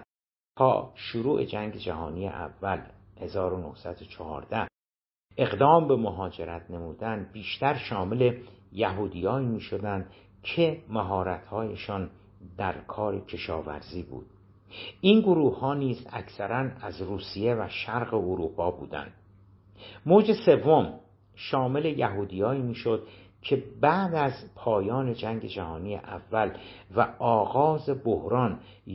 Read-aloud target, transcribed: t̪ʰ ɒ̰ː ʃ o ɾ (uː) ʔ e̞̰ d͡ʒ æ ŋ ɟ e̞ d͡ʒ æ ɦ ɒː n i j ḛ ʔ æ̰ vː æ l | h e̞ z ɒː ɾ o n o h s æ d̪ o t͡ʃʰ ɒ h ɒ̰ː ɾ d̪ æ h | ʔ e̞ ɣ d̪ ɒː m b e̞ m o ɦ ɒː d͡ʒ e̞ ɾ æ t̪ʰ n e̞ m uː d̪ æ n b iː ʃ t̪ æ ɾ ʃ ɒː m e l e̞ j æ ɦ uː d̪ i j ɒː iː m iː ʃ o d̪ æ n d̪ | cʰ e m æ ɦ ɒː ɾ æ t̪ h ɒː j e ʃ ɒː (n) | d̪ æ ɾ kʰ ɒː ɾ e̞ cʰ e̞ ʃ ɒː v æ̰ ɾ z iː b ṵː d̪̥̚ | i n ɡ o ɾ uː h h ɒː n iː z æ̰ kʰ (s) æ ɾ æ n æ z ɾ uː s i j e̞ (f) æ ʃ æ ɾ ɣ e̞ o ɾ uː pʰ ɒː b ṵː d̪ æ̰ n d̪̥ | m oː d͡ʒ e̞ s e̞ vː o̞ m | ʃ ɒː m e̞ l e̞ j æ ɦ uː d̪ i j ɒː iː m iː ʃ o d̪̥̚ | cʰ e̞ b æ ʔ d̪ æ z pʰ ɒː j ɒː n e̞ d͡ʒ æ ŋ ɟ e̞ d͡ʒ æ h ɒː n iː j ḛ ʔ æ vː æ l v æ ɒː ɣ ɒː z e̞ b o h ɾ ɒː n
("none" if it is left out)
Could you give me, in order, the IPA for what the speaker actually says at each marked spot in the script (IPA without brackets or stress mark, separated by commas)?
uː, n, s, v